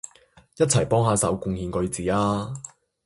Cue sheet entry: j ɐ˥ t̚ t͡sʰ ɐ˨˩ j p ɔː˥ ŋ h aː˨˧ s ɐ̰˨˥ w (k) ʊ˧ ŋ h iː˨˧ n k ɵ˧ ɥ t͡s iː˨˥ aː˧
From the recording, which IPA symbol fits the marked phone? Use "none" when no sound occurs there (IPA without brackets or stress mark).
k